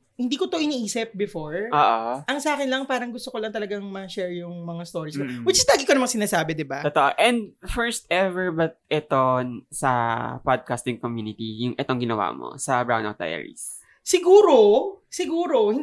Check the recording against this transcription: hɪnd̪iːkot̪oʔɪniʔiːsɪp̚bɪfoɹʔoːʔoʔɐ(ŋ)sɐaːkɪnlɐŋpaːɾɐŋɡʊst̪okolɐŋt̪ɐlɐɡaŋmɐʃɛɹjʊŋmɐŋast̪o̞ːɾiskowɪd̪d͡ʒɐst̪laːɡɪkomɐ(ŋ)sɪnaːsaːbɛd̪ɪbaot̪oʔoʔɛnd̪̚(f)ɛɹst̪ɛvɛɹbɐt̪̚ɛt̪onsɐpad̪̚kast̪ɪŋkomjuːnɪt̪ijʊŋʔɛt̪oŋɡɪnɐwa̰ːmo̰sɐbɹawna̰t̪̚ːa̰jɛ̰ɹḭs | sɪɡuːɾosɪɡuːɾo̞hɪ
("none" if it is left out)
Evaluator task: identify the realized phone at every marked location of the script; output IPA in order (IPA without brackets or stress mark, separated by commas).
ŋ, ŋ, f